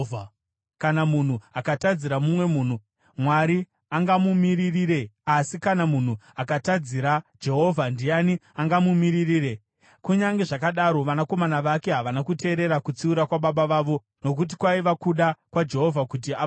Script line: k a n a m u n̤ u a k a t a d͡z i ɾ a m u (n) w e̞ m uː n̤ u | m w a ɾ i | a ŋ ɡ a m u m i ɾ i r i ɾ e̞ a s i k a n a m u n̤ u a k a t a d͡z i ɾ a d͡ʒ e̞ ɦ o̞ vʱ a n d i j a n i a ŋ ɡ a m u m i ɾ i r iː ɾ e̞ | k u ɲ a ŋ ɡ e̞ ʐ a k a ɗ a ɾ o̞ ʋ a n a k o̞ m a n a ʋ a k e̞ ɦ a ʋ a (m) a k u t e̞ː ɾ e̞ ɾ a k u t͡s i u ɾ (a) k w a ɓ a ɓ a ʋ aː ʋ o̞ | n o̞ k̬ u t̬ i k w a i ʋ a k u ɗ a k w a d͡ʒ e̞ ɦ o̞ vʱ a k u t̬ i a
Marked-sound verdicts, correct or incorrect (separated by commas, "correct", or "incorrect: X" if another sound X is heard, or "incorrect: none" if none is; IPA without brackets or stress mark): incorrect: m, incorrect: n, correct